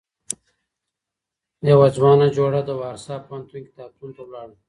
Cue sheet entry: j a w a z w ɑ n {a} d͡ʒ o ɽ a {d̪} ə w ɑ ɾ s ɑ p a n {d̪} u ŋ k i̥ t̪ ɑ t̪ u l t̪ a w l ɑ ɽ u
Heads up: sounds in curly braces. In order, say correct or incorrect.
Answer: correct, correct, incorrect: t̪

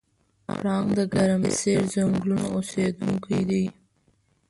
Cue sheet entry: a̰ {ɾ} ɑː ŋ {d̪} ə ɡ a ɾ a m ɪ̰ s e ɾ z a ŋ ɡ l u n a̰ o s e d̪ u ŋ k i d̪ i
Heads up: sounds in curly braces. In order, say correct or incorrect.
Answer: correct, correct

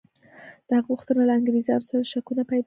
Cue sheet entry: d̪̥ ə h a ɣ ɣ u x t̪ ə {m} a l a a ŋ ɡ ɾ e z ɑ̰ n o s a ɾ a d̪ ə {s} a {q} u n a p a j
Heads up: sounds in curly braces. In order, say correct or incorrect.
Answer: incorrect: n, incorrect: ʃ, incorrect: k

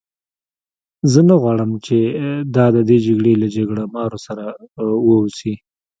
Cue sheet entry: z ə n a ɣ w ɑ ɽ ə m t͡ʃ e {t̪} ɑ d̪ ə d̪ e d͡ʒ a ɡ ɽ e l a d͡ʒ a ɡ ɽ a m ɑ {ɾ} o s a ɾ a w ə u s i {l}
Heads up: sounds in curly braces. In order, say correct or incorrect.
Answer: incorrect: d̪, correct, incorrect: none

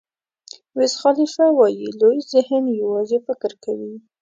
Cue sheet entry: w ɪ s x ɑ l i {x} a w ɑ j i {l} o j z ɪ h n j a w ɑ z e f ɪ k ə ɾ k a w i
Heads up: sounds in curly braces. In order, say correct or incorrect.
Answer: incorrect: f, correct

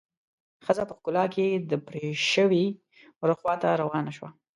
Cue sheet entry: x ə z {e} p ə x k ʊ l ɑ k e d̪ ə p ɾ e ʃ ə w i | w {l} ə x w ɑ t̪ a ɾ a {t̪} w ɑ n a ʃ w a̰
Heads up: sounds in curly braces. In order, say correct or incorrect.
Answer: incorrect: a, incorrect: ɾ, incorrect: none

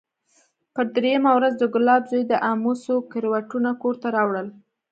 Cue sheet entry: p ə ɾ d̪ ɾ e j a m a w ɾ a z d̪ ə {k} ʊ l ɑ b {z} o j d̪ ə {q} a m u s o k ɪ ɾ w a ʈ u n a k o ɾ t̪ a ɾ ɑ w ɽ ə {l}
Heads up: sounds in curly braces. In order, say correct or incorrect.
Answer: incorrect: ɡ, correct, incorrect: ʔ, correct

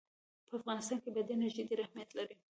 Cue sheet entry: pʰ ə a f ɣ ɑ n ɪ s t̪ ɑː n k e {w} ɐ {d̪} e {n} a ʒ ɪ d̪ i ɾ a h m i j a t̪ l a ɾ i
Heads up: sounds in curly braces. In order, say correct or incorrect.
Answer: incorrect: b, correct, correct

